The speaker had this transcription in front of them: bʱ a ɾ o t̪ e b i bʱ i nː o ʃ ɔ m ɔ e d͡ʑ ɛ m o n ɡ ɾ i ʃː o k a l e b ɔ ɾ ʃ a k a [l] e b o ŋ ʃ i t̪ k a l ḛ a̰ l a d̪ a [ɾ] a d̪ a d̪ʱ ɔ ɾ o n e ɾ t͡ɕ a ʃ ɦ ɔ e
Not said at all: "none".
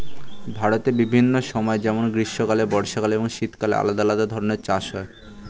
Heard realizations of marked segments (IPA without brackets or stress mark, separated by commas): l, l